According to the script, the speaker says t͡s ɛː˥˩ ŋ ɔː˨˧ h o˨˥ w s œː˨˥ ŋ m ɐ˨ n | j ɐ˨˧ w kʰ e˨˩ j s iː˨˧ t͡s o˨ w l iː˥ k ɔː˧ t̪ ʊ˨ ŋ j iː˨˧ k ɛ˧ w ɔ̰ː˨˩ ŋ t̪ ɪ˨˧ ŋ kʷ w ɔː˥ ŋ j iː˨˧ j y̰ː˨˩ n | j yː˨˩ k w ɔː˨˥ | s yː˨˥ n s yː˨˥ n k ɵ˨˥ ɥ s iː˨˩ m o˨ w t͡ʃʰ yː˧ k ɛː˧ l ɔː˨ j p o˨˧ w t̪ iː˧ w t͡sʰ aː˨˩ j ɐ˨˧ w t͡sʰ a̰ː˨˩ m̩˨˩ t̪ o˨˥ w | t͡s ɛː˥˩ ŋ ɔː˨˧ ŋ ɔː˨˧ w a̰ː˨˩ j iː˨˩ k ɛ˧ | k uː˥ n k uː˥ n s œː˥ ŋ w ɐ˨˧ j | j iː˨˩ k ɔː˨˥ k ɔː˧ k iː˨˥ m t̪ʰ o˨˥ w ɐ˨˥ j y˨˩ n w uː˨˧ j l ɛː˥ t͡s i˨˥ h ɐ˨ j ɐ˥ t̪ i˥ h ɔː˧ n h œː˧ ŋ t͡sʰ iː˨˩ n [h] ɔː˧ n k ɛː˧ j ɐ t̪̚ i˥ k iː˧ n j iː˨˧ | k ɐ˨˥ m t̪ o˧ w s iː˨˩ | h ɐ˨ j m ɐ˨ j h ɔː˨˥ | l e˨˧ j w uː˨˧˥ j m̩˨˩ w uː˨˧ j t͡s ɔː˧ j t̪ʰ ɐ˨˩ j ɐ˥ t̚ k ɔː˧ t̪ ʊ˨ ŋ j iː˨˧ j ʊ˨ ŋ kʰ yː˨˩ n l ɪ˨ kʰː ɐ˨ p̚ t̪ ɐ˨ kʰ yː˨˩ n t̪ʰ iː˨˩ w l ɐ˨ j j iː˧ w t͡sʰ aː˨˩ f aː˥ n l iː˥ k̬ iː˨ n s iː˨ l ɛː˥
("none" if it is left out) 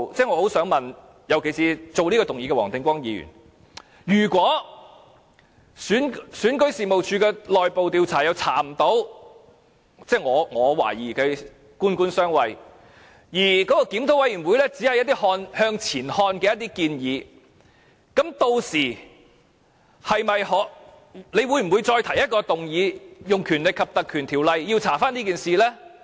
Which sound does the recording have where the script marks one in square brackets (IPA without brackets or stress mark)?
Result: h